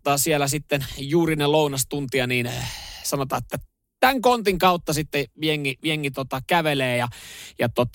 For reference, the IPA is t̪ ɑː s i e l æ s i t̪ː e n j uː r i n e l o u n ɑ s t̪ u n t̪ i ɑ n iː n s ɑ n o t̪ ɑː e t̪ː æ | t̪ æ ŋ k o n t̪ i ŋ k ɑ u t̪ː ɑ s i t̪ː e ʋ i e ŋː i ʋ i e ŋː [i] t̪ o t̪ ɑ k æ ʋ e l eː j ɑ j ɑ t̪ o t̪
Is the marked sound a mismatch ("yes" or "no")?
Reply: no